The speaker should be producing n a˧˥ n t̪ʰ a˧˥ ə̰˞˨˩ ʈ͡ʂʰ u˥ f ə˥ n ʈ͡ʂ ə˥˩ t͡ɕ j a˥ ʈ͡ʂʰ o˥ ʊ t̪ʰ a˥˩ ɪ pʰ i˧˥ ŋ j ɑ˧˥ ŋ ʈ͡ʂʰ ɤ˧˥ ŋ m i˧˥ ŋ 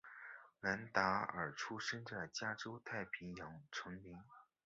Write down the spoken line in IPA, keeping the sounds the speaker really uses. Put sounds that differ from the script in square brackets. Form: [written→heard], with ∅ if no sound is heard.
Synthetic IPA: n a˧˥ n [t̪ʰ→t̪] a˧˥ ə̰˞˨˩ ʈ͡ʂʰ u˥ [f→ʂ] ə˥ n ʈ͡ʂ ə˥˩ t͡ɕ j a˥ [ʈ͡ʂʰ→ʈ͡ʂ] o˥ ʊ t̪ʰ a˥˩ ɪ pʰ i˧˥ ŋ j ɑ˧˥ ŋ ʈ͡ʂʰ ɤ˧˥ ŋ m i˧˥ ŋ